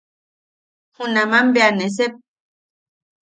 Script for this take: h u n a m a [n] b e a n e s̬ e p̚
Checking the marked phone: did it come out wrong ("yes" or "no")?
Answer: yes